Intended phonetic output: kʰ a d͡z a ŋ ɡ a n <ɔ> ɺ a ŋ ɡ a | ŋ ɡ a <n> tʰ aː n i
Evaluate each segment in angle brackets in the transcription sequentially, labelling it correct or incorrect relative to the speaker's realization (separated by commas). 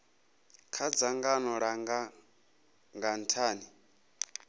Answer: correct, correct